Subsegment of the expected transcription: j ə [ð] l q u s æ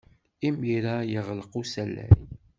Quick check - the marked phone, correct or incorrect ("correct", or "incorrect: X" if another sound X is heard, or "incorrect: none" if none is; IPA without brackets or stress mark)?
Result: incorrect: ʁ